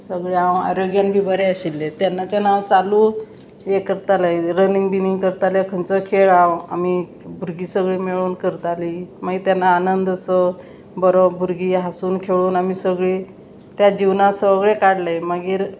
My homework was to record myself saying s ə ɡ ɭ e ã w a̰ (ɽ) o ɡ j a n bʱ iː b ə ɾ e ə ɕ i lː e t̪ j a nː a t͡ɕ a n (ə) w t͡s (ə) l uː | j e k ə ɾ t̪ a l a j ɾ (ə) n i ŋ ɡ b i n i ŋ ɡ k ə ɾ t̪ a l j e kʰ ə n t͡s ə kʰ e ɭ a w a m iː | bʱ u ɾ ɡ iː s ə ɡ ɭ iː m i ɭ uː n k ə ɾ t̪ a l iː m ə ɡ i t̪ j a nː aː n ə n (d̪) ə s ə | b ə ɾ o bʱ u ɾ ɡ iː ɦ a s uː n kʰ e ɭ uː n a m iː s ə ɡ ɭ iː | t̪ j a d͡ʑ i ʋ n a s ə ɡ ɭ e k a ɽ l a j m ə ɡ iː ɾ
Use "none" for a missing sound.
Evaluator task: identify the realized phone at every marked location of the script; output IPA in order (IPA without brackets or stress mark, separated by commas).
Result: ɾ, a, a, ə, d̪